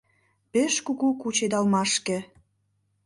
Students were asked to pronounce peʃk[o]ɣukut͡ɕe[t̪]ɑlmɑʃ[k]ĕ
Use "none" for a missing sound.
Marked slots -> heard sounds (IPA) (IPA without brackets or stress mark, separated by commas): u, d̪, k